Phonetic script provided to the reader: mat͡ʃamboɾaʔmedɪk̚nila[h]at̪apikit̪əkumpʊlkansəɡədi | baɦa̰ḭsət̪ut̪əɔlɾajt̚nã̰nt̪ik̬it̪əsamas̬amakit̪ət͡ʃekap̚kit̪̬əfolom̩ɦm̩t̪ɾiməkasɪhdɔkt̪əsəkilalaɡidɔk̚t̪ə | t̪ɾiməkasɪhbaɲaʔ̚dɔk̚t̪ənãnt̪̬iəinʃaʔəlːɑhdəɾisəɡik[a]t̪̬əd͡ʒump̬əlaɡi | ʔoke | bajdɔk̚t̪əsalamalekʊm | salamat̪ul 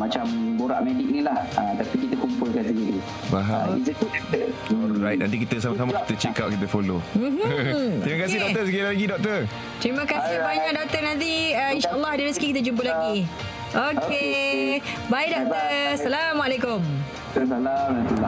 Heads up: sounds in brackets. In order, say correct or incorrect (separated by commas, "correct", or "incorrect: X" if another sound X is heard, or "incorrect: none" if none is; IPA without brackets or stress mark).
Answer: correct, incorrect: i